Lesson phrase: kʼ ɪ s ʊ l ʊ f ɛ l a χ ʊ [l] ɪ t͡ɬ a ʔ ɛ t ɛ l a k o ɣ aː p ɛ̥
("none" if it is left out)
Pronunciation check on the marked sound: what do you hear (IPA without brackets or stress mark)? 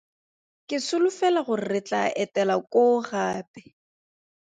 r